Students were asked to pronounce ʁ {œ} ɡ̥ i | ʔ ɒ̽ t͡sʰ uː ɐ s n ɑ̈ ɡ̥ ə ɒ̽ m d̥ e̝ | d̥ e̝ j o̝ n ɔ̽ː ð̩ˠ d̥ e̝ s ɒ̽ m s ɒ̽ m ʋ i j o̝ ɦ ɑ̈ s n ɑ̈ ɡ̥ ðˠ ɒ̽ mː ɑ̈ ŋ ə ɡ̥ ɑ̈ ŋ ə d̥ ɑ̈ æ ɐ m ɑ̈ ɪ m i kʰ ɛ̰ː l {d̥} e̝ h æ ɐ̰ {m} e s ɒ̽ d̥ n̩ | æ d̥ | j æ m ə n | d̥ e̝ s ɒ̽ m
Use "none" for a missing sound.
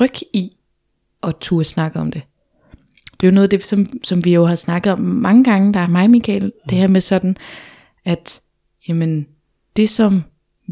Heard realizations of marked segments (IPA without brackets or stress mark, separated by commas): œ, d̥, m